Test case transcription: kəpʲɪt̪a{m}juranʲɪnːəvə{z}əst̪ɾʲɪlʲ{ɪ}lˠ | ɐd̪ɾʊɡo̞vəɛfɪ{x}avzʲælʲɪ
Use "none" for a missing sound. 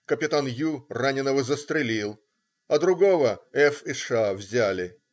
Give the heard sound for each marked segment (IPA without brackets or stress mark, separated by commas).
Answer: n, z, i, ʂ